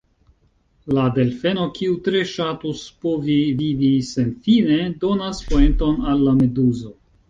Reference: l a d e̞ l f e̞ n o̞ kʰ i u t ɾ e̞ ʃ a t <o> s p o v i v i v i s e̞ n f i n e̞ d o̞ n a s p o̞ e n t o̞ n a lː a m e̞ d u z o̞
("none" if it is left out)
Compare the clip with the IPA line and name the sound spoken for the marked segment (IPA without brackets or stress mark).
u